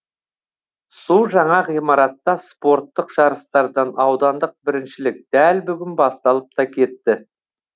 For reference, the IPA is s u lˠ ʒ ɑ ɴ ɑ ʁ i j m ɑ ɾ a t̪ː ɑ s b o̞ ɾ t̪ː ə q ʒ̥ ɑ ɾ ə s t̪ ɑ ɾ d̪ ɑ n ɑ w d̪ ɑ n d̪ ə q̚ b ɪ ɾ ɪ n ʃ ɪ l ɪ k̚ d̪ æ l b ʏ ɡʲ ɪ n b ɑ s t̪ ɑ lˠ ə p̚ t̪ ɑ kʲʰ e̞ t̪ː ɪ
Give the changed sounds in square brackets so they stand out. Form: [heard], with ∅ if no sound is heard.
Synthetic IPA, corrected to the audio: s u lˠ ʒ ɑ ɴ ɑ ʁ i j m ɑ ɾ [ɑ] t̪ː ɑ s [p] o̞ ɾ t̪ː ə q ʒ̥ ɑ ɾ ə s t̪ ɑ ɾ d̪ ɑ n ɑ w d̪ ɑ n d̪ ə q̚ b ɪ ɾ ɪ n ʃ ɪ l ɪ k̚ d̪ æ l b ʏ ɡʲ ɪ n b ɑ s t̪ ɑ lˠ ə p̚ t̪ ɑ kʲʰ e̞ t̪ː ɪ

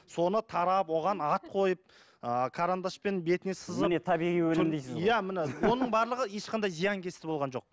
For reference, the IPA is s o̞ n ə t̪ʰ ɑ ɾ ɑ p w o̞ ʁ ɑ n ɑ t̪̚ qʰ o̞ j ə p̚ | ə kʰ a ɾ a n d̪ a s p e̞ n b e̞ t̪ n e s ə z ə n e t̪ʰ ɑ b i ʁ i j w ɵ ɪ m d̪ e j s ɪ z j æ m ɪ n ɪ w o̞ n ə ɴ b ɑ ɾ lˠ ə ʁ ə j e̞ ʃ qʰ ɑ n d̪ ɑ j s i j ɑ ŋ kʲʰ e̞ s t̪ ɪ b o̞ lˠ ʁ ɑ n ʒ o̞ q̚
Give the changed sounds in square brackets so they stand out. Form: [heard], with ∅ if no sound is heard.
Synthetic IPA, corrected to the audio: s o̞ n ə t̪ʰ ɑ ɾ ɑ p w o̞ ʁ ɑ n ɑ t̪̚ qʰ o̞ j ə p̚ | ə kʰ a ɾ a n d̪ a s p e̞ n b e̞ t̪ n e s ə z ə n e t̪ʰ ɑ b i ʁ i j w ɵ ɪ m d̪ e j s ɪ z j æ m ɪ n ɪ w o̞ n ə ɴ b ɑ ɾ lˠ ə ʁ ə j e̞ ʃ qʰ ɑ n d̪ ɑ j [z] i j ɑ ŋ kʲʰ e̞ s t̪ ɪ b o̞ lˠ ʁ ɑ n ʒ o̞ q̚

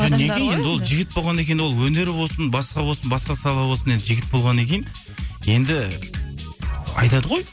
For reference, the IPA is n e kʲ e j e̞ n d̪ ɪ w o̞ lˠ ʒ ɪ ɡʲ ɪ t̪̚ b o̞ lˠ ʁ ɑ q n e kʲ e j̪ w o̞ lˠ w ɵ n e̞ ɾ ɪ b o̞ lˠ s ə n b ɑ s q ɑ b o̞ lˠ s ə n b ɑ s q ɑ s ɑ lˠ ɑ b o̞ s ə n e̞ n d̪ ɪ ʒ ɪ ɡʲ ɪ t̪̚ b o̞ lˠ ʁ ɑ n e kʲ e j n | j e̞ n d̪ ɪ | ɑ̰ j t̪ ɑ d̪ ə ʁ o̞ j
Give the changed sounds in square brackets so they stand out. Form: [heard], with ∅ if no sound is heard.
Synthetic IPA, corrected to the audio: n e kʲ e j e̞ n d̪ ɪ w o̞ lˠ ʒ ɪ ɡʲ ɪ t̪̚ b o̞ lˠ ʁ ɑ [∅] n e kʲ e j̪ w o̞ lˠ w ɵ n e̞ ɾ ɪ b o̞ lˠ s ə n b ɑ s q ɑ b o̞ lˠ s ə n b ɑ s q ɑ s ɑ lˠ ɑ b o̞ s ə n e̞ n d̪ ɪ ʒ ɪ ɡʲ ɪ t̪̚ b o̞ lˠ ʁ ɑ n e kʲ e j n | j e̞ n d̪ ɪ | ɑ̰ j t̪ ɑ d̪ ə ʁ o̞ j

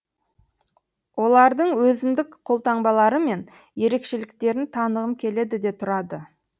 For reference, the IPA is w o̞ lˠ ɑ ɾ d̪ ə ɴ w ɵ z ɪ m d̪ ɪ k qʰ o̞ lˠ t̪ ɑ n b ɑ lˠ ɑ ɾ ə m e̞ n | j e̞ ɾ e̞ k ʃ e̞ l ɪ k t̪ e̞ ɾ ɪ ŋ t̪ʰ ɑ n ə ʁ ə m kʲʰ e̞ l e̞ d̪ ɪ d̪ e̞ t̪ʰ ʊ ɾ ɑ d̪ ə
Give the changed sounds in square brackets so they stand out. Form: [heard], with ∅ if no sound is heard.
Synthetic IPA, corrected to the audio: w o̞ lˠ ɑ ɾ d̪ ə ɴ w ɵ z ɪ m d̪ ɪ k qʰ o̞ lˠ t̪ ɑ [ɴ] b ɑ lˠ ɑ ɾ ə m e̞ n | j e̞ ɾ e̞ k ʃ e̞ l ɪ k t̪ e̞ ɾ ɪ [n] t̪ʰ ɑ n ə ʁ ə m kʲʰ e̞ l e̞ d̪ ɪ d̪ e̞ t̪ʰ ʊ ɾ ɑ d̪ ə

